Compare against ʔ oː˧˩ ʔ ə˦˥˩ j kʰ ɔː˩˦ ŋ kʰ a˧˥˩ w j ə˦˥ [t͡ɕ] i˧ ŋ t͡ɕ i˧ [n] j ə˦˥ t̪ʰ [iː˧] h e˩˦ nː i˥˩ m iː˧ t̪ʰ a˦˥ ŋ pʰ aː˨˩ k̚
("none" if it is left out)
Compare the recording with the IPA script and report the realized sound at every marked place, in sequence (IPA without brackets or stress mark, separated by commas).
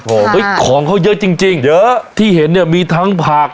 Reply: t͡ɕ, ŋ, iː˥˩